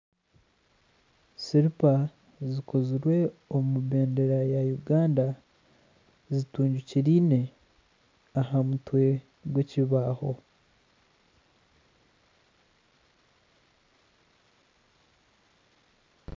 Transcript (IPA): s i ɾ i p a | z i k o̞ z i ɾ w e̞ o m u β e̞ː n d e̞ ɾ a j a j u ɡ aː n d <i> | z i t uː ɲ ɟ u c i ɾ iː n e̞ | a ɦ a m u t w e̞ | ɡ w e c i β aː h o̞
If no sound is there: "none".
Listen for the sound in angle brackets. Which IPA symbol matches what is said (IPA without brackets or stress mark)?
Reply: a